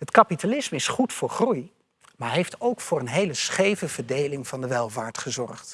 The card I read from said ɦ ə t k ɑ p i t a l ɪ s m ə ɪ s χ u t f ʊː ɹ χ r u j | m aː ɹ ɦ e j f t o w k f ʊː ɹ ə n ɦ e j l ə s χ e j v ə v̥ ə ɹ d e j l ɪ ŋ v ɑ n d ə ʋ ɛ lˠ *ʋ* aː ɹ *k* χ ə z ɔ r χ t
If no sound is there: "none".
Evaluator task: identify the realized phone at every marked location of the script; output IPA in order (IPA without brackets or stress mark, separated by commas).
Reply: v, t